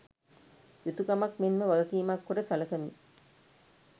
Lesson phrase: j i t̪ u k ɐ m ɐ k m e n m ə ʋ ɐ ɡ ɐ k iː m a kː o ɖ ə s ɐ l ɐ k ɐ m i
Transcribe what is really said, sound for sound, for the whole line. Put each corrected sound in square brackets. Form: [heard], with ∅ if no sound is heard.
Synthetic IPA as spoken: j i t̪ u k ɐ m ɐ k m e n m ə ʋ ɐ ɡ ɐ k iː m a kː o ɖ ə s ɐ l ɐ k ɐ m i

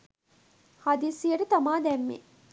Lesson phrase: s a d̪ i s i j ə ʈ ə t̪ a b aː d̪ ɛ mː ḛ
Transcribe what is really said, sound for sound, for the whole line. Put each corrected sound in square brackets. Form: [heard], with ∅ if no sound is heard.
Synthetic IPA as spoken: [h] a d̪ i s i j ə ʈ ə t̪ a [m] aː d̪ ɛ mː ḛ

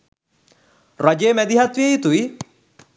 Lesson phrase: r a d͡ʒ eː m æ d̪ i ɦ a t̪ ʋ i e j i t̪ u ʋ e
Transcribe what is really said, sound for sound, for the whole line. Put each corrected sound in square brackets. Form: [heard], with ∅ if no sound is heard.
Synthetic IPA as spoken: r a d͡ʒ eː m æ d̪ i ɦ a t̪ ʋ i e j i t̪ u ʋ [i]

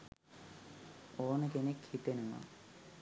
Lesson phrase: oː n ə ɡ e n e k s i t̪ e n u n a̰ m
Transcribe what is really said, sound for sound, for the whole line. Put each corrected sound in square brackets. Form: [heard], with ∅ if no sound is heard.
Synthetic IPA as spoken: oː n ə [k] e n e k [h] i t̪ e n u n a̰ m

